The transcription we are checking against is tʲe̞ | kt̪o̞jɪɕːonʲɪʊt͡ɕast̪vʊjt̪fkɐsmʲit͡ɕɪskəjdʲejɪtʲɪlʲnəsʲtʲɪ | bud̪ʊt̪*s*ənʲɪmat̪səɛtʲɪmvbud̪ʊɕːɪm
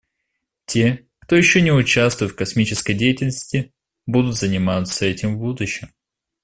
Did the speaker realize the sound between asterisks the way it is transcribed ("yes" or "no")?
no